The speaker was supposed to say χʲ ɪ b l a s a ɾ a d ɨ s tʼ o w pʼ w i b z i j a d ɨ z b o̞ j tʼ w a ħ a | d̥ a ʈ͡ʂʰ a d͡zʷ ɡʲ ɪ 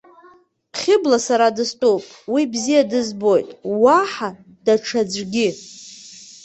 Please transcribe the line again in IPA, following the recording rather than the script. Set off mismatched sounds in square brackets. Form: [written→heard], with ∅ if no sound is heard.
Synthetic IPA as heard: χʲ ɪ b l a s a ɾ a d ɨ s tʼ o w pʼ w i b z i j a d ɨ z b o̞ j tʼ w a ħ a | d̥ a ʈ͡ʂʰ a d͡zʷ ɡʲ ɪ

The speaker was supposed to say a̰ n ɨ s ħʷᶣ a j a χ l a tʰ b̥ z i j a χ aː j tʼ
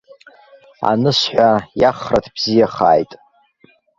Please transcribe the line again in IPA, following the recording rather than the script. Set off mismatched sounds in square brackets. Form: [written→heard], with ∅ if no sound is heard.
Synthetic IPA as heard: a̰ n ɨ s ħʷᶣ a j a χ [l→r] a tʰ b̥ z i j a χ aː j tʼ

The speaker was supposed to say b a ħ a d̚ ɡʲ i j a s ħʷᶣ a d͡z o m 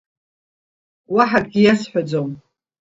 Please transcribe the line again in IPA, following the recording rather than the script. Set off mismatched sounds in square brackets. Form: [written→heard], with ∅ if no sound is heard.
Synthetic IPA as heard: [b→w] a ħ a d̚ ɡʲ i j a s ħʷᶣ a d͡z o m

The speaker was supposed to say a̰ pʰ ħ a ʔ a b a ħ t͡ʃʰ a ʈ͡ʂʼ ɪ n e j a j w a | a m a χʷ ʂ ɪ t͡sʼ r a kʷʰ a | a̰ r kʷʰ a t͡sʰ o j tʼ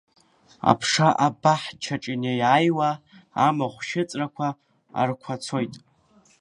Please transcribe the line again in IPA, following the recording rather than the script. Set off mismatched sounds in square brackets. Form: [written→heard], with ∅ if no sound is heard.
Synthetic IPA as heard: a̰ pʰ [ħ→ʂ] a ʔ a b a ħ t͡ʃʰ a ʈ͡ʂʼ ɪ n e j a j w a | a m a χʷ [ʂ→ʃ] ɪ t͡sʼ r a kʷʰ a | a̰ r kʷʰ a t͡sʰ o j tʼ

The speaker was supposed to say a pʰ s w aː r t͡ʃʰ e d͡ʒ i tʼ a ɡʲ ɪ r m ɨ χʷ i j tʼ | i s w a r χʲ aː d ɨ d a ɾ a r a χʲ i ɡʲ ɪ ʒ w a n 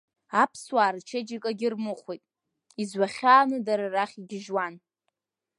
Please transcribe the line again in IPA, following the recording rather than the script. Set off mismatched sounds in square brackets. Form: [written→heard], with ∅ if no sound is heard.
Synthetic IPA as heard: a pʰ s w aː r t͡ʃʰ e d͡ʒ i [tʼ→kʼ] a ɡʲ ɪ r m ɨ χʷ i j tʼ | i [s→z] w a [r→∅] χʲ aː [d→n] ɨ d a ɾ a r a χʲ i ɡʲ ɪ ʒ w a n

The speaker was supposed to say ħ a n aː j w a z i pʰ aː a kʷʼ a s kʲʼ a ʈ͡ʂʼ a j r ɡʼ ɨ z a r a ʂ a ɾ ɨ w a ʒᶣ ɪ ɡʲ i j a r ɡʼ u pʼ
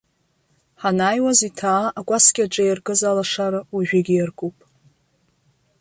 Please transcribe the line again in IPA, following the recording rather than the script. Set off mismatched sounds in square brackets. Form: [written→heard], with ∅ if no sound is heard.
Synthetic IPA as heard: ħ a n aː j w a z i [pʰ→tʰ] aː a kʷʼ a s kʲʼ a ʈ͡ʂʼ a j r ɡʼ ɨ z a [r→l] a ʂ a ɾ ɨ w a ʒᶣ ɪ ɡʲ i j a r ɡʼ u pʼ

